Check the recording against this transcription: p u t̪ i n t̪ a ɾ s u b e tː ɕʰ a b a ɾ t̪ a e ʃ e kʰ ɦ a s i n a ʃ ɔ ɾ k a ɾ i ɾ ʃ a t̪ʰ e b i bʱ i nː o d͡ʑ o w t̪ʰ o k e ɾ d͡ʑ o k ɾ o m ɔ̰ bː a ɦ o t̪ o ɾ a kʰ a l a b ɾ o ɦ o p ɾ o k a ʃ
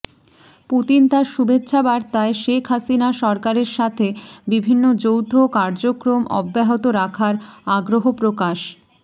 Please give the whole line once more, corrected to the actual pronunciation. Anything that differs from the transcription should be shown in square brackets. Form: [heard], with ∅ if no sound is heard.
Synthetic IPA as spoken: p u t̪ i n t̪ a ɾ [ʃ] u b e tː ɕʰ a b a ɾ t̪ a e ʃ e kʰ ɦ a s i n a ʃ ɔ ɾ k a ɾ [e] ɾ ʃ a t̪ʰ e b i bʱ i nː o d͡ʑ o w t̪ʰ o k [a] ɾ d͡ʑ o k ɾ o m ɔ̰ bː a ɦ o t̪ o ɾ a kʰ a [ɾ] a [ɡ] ɾ o ɦ o p ɾ o k a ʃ

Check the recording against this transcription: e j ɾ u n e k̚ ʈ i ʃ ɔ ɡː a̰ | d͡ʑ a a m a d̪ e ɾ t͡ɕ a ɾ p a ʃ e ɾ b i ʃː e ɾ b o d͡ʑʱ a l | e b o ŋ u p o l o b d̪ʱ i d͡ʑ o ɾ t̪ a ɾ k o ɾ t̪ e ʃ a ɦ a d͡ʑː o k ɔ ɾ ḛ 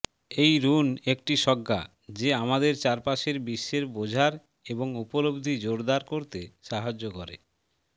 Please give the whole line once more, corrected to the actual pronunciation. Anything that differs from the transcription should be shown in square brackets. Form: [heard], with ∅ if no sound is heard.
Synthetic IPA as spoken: e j ɾ u n e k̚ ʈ i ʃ ɔ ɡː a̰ | d͡ʑ [e] a m a d̪ e ɾ t͡ɕ a ɾ p a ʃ e ɾ b i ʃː e ɾ b o d͡ʑʱ a [ɾ] | e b o ŋ u p o l o b d̪ʱ i d͡ʑ o ɾ [d̪] a ɾ k o ɾ t̪ e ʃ a ɦ a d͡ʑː o k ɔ ɾ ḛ

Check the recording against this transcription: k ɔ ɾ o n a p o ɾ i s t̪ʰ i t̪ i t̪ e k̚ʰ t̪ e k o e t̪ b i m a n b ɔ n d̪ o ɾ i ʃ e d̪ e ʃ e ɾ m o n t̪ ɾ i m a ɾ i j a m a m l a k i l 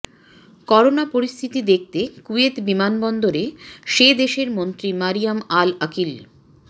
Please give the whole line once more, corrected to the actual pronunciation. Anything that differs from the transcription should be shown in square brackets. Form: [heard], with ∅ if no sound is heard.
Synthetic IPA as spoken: k ɔ ɾ o n a p o ɾ i s t̪ʰ i t̪ i [d̪] e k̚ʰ t̪ e k [u] e t̪ b i m a n b ɔ n d̪ o ɾ [e] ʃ e d̪ e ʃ e ɾ m o n t̪ ɾ i m a ɾ i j a m a [∅] l a k i l

